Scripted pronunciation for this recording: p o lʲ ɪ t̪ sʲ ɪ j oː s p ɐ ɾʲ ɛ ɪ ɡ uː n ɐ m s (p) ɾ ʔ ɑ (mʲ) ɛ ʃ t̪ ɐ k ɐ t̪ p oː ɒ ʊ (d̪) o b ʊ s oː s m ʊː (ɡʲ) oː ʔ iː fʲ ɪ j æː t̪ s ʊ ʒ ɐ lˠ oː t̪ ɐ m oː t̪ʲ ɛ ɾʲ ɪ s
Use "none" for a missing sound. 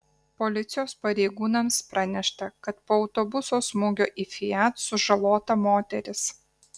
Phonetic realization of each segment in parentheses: p, nʲ, t̪, ɡʲ

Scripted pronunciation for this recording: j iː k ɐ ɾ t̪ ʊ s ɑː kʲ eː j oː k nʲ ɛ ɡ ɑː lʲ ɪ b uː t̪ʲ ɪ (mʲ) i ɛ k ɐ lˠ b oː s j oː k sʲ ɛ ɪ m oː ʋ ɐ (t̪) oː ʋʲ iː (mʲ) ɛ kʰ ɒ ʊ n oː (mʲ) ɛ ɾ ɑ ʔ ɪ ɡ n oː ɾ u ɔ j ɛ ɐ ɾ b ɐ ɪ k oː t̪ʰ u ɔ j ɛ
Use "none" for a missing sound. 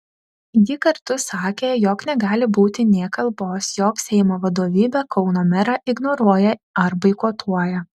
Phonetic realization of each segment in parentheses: nʲ, d̪, bʲ, mʲ

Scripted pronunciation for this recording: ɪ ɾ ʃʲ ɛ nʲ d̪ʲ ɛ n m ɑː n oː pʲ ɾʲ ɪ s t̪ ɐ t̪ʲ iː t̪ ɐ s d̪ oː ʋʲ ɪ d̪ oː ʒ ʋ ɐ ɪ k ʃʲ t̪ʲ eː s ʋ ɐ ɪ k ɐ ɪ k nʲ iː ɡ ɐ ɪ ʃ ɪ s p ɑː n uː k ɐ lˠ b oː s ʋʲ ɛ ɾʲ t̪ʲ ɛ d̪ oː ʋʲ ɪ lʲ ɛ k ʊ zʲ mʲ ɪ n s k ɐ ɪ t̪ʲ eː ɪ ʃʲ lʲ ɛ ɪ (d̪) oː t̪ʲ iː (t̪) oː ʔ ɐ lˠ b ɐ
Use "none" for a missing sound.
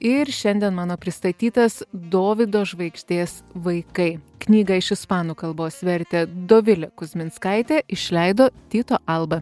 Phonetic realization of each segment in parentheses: d̪, t̪

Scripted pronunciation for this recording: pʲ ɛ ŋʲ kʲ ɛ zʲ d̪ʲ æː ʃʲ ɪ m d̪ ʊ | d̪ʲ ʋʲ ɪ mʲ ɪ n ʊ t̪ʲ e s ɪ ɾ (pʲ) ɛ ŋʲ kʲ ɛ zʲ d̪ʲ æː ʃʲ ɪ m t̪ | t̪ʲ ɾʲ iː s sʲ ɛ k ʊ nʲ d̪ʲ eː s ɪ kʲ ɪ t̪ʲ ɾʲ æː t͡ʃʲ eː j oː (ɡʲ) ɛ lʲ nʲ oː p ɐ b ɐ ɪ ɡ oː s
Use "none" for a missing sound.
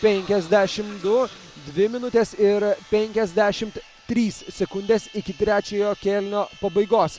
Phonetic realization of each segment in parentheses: pʲ, kʲ

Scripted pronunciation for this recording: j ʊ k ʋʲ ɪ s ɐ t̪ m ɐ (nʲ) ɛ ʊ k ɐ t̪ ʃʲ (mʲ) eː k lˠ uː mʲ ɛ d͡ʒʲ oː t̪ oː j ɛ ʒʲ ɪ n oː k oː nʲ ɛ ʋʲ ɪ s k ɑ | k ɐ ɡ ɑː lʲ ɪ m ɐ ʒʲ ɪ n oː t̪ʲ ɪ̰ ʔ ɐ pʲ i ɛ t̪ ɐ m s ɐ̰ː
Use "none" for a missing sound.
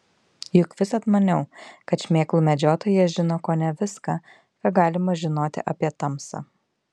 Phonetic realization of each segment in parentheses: nʲ, mʲ

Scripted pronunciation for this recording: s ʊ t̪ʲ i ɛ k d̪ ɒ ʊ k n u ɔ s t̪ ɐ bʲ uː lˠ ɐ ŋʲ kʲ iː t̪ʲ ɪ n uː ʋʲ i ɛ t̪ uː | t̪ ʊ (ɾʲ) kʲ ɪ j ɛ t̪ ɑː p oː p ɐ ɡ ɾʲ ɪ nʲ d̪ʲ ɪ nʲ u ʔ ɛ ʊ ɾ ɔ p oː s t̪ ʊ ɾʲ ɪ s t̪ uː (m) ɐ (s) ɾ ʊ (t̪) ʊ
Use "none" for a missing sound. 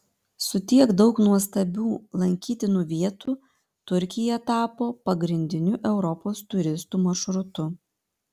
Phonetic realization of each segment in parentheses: ɾʲ, m, ʃ, t̪

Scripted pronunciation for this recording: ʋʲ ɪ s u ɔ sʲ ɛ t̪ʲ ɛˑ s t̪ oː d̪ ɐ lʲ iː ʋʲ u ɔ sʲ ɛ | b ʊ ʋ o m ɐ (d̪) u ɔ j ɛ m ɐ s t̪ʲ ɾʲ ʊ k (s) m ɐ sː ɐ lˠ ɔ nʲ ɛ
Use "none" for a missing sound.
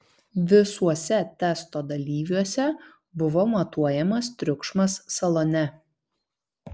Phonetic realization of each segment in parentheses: t̪, ʃ

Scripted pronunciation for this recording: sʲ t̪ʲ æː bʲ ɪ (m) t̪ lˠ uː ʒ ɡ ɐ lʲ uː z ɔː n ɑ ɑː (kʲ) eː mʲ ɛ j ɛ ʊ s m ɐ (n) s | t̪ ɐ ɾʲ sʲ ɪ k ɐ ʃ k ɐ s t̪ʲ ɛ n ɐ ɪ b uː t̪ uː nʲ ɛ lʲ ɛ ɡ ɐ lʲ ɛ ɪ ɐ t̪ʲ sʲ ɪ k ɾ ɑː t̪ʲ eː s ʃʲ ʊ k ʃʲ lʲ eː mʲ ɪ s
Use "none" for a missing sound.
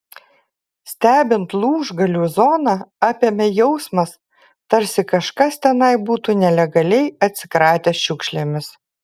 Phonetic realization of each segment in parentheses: n, pʲ, none

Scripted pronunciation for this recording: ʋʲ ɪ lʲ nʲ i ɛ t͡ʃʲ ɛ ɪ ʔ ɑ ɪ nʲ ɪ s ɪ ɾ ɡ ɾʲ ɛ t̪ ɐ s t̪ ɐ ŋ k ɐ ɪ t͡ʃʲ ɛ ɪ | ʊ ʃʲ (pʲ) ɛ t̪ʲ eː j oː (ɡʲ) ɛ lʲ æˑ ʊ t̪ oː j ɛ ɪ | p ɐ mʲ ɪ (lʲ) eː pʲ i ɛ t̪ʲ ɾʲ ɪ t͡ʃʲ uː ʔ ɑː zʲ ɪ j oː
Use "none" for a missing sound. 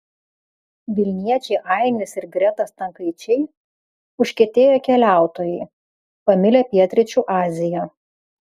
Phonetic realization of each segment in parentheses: kʲ, kʲ, lʲ

